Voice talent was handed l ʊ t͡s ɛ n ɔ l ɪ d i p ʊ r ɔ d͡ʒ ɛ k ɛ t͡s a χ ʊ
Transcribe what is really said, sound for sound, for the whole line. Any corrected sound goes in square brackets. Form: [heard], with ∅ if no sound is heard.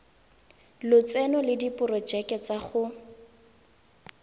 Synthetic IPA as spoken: l ʊ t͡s ɛ n ɔ l ɪ d i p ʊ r ɔ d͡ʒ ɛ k ɛ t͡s a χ ʊ